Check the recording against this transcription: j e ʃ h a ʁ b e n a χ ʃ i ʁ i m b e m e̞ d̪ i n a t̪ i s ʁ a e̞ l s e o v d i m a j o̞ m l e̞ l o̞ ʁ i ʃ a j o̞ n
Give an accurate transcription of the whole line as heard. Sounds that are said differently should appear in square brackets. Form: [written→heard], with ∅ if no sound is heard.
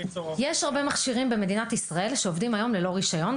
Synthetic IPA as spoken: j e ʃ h a ʁ b e [n→m] a χ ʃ i ʁ i m b e m e̞ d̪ i n a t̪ i s ʁ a e̞ l [s→ʃ] e o v d i m a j o̞ m l e̞ l o̞ ʁ i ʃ a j o̞ n